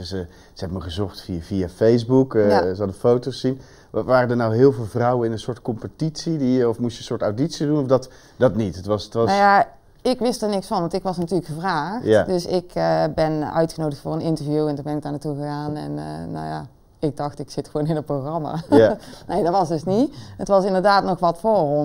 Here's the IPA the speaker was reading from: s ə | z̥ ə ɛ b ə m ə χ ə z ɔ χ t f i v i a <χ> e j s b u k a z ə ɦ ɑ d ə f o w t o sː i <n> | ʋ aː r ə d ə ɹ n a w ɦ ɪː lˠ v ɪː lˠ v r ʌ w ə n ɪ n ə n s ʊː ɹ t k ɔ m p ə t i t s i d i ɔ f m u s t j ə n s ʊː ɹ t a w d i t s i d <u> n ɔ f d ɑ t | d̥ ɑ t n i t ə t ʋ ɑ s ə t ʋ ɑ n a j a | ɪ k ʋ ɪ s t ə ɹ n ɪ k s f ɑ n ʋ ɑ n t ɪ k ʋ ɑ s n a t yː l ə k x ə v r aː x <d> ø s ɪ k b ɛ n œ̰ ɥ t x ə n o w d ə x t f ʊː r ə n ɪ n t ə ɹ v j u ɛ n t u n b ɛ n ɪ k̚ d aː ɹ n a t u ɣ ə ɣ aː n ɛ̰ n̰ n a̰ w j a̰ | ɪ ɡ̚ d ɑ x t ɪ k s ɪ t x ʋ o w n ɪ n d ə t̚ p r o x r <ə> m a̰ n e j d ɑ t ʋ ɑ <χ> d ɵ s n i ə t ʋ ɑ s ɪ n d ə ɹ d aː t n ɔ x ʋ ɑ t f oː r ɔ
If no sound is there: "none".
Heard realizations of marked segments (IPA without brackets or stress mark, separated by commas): f, n, u, d, ɑ, s